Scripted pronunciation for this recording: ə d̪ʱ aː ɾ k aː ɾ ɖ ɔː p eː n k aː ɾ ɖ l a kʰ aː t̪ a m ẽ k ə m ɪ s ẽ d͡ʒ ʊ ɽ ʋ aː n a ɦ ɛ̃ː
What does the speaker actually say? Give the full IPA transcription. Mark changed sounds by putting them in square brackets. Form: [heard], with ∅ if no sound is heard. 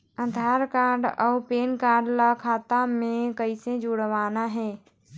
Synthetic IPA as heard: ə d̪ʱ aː ɾ k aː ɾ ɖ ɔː p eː n k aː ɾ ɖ l a kʰ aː t̪ a m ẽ k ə [∅] ɪ s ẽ d͡ʒ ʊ ɽ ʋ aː n a ɦ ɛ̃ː

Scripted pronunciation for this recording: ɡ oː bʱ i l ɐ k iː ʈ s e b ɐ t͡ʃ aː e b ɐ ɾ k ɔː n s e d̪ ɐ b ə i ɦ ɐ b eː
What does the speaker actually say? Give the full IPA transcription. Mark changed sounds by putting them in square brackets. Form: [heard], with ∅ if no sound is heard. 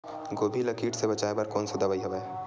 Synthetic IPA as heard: ɡ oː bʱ i l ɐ k iː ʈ s e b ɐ t͡ʃ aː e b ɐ ɾ k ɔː n s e d̪ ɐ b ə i ɦ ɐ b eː

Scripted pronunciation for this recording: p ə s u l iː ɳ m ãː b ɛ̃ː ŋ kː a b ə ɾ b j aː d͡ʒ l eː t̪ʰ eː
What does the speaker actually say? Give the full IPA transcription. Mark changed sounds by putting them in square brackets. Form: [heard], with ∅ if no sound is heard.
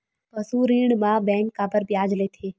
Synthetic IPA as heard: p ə s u [ɾ] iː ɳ m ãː b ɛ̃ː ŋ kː a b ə ɾ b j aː d͡ʒ l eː t̪ʰ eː

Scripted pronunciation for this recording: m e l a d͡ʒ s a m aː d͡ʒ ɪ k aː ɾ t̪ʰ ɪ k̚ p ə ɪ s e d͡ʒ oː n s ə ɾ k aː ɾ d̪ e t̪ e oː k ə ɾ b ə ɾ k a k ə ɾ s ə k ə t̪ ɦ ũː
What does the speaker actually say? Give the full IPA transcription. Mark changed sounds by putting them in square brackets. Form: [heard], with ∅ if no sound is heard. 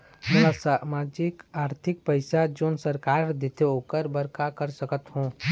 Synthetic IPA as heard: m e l a [∅] s a m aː d͡ʒ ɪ k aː ɾ t̪ʰ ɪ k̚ p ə ɪ s [a] d͡ʒ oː n s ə ɾ k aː ɾ d̪ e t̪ e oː k ə ɾ b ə ɾ k a k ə ɾ s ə k ə t̪ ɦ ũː

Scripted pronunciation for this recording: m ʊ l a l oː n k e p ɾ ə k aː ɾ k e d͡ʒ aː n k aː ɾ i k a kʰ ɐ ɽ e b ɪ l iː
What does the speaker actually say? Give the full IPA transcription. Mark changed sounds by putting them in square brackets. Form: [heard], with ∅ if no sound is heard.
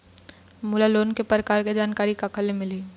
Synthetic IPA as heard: m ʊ l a l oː n k e p ɾ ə k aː ɾ k e d͡ʒ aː n k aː ɾ i k a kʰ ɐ [l] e [m] ɪ l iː

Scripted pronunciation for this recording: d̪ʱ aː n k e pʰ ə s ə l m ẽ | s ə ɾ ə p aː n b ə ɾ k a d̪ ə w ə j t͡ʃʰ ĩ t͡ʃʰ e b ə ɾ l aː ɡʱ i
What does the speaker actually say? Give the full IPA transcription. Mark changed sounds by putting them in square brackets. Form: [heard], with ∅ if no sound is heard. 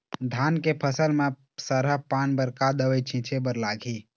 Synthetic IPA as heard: d̪ʱ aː n k e pʰ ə s ə l m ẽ | s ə ɾ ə p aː n b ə ɾ k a d̪ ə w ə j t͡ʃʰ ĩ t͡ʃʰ e b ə ɾ l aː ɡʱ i

